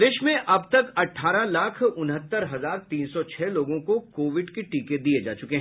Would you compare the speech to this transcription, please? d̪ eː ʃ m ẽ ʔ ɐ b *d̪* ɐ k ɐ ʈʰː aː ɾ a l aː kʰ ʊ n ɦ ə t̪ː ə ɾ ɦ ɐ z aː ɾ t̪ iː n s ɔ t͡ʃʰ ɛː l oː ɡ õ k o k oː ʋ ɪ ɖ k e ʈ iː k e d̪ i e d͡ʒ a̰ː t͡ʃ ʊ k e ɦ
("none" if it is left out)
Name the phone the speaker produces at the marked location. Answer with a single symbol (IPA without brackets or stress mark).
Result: t̪